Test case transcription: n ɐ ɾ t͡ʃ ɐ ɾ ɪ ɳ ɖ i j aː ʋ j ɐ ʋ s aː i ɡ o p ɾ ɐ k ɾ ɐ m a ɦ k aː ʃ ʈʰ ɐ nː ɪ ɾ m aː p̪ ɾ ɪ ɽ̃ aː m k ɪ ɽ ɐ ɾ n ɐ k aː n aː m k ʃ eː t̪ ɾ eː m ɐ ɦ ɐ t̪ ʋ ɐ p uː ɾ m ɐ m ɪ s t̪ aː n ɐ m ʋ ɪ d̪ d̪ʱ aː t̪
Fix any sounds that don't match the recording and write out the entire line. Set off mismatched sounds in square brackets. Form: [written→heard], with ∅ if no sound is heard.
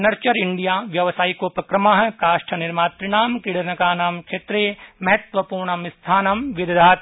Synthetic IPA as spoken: n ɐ ɾ t͡ʃ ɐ ɾ ɪ ɳ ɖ i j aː ʋ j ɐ ʋ s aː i [ɡ→k] o p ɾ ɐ k ɾ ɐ m a ɦ k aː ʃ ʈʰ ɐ [nː→n] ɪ ɾ m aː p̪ ɾ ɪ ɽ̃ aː m k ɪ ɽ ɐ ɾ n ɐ k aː n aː m k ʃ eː t̪ ɾ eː m ɐ ɦ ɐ t̪ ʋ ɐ p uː ɾ [m→ɳ] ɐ m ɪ s [t̪→t̪ʰ] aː n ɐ m ʋ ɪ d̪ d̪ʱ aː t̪